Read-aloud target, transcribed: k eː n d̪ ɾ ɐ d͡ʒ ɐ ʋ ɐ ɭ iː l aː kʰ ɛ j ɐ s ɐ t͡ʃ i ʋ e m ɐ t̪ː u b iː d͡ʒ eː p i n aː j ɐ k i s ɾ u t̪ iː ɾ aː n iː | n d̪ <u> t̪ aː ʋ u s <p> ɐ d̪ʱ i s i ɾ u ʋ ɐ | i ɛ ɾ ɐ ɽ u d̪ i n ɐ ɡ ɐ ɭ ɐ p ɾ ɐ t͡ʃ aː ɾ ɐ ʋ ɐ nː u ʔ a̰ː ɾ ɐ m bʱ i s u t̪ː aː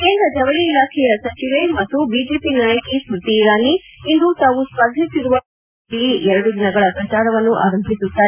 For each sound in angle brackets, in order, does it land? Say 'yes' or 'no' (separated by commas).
yes, yes